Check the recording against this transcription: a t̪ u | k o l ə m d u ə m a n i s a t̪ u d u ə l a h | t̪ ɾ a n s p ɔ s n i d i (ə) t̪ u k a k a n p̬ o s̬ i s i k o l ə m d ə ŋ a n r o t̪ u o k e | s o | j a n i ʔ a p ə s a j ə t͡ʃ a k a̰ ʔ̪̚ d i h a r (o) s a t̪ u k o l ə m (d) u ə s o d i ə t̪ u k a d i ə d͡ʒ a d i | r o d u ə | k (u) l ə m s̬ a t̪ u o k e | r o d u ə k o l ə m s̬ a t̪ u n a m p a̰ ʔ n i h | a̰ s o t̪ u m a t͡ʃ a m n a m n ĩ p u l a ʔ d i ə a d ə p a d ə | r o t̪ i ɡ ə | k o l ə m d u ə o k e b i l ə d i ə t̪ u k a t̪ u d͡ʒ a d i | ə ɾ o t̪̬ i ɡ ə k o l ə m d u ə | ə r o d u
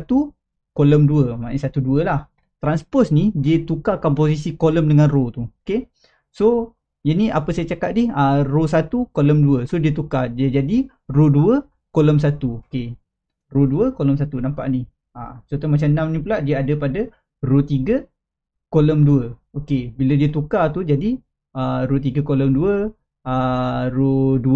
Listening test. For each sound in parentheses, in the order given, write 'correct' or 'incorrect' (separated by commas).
correct, correct, correct, incorrect